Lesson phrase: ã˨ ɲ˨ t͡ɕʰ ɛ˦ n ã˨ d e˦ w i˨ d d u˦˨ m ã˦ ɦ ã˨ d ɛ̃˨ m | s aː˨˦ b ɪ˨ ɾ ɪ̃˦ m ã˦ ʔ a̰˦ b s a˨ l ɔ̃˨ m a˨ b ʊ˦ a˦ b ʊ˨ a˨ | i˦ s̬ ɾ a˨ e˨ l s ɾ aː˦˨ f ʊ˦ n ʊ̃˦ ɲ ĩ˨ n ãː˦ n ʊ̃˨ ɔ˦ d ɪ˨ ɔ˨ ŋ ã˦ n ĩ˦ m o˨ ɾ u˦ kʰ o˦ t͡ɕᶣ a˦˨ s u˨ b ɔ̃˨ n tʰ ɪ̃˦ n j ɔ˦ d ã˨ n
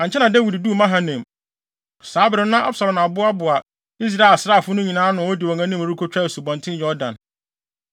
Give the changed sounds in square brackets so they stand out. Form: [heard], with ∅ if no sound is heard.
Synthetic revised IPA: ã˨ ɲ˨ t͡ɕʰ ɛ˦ n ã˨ d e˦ w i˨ d d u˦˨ m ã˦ ɦ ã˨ [n] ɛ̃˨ m | s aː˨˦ b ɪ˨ ɾ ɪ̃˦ [n] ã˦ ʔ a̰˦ b s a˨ l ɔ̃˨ m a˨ b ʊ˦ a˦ b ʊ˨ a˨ | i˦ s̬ ɾ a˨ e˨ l s ɾ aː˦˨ f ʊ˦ n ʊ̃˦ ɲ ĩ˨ n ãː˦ n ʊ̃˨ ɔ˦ d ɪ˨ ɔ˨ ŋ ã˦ n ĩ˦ m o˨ ɾ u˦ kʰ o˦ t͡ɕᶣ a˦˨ s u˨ b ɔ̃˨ n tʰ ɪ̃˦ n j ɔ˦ d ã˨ n